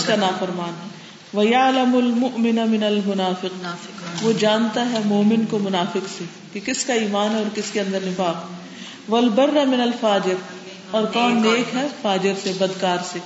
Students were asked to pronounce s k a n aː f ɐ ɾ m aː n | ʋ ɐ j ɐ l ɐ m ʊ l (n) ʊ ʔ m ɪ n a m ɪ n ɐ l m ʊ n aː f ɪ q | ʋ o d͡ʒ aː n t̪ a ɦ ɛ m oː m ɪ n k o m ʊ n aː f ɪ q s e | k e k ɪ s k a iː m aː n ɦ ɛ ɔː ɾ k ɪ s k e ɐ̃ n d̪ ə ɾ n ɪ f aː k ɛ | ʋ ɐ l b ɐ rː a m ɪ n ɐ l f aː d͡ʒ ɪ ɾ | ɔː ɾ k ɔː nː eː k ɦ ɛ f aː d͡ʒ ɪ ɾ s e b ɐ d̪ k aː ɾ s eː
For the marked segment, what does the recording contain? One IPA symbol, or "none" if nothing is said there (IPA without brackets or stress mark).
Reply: m